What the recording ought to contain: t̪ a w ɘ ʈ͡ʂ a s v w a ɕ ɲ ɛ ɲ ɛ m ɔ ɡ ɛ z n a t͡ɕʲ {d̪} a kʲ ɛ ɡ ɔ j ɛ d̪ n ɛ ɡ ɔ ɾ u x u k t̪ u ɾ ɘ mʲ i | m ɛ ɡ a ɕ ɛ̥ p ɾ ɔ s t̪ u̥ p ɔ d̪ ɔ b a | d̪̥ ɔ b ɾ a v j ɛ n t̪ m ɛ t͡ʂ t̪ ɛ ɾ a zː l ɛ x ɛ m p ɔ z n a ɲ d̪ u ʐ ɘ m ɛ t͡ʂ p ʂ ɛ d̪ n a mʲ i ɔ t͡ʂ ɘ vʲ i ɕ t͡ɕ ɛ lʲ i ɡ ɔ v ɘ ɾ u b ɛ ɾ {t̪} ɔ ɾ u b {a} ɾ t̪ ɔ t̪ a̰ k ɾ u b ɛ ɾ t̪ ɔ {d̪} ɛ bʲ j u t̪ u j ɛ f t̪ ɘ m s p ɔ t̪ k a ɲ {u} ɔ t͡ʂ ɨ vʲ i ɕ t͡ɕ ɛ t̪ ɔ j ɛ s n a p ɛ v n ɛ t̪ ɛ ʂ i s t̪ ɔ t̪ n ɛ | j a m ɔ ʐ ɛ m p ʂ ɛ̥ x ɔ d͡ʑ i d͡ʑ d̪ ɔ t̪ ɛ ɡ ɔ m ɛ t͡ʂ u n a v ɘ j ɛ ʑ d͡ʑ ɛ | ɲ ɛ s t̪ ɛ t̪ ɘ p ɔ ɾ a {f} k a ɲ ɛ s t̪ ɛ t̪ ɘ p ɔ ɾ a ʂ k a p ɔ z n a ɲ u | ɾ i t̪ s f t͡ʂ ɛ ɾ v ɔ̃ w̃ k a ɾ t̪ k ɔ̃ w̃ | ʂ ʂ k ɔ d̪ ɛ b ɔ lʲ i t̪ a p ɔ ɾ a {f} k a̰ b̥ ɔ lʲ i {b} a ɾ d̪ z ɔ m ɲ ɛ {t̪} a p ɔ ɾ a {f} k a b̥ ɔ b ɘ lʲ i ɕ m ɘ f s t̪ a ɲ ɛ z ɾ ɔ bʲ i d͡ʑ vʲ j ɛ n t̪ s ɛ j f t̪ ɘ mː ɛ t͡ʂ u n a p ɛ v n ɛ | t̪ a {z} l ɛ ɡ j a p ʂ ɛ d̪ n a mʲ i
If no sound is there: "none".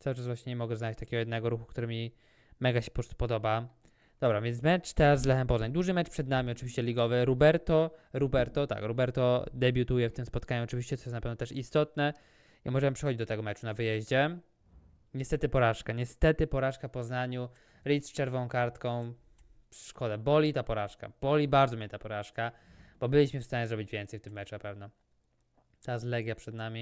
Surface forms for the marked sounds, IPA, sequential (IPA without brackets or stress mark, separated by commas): t̪, t̪, ɛ, d̪, u, ʂ, ʂ, b, t̪, ʂ, z